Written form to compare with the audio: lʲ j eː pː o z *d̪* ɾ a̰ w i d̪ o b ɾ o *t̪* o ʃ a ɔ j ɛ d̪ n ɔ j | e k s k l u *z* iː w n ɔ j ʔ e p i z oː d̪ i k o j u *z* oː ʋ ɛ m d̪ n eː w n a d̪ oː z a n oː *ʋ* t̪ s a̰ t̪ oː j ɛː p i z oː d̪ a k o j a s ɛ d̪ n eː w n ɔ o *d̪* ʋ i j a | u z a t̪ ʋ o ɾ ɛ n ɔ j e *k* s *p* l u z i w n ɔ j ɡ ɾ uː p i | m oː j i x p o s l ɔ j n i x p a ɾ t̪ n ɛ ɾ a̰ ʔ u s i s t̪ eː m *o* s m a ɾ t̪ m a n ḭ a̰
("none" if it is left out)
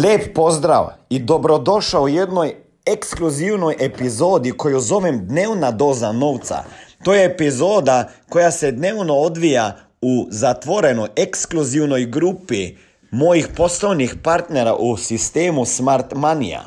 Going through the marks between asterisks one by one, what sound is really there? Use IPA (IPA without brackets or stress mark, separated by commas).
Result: d̪, d̪, z, z, w, d̪, k, k, u